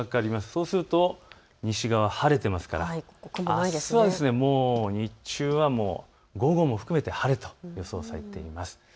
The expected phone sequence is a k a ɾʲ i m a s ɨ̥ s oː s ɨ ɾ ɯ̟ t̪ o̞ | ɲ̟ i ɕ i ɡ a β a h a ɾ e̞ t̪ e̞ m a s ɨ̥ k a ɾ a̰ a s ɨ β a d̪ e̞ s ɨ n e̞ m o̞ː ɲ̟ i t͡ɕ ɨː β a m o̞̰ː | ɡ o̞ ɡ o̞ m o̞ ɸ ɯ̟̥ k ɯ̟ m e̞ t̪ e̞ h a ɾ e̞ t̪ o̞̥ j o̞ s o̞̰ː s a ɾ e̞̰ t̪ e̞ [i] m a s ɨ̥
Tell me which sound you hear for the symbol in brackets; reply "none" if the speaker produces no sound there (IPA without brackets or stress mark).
i